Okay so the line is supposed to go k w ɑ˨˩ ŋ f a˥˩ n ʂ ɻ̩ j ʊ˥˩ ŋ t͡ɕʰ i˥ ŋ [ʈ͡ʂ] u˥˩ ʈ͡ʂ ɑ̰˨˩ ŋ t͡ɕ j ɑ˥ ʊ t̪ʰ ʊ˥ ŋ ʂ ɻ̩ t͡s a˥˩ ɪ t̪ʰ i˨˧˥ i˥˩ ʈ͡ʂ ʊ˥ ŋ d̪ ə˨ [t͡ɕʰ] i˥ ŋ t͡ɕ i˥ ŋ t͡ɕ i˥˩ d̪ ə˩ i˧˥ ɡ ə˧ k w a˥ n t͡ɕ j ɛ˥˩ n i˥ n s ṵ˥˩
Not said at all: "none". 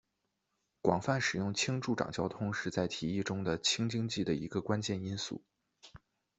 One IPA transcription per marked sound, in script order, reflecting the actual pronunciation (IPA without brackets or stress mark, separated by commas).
ʈ͡ʂ, t͡ɕʰ